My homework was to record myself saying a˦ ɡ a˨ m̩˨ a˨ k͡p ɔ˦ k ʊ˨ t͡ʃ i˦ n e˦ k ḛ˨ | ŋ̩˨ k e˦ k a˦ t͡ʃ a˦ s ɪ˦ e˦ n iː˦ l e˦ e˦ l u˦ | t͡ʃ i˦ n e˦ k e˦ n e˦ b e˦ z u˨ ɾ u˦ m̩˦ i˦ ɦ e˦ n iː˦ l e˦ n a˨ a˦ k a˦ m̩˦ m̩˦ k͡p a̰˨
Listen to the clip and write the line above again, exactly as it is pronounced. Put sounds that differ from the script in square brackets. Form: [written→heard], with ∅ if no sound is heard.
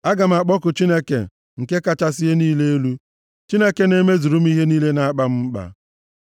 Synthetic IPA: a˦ ɡ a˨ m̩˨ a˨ k͡p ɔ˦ k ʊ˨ t͡ʃ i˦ n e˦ k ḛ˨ | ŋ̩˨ k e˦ k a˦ t͡ʃ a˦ s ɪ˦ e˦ n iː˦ l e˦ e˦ l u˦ | t͡ʃ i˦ n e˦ k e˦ n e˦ [b→m] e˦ z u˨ ɾ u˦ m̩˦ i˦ ɦ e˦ n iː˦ l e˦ n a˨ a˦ [k→k͡p] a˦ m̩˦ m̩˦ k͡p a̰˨